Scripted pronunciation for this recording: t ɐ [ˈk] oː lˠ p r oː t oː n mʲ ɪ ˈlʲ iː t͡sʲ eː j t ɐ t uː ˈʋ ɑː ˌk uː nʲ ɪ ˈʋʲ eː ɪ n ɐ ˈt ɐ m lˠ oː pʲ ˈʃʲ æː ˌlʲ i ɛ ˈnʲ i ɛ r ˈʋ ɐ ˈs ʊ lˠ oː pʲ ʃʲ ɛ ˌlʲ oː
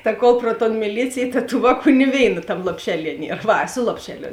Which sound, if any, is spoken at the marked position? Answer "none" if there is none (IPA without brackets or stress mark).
k